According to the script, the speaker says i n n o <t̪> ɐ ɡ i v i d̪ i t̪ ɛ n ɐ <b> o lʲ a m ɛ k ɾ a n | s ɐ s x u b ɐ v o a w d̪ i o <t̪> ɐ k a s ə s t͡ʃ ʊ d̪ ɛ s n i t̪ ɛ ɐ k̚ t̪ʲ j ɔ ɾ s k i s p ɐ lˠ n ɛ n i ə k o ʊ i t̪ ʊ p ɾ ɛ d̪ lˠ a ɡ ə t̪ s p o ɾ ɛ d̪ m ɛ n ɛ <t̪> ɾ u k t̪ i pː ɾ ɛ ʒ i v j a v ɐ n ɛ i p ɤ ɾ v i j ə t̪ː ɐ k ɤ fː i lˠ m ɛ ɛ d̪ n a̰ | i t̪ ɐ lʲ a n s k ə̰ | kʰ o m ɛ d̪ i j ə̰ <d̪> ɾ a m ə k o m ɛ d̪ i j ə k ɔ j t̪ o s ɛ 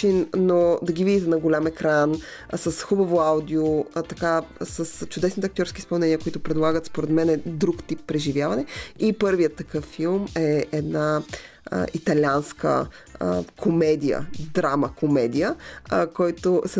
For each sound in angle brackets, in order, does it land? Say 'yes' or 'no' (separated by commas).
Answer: no, no, yes, no, yes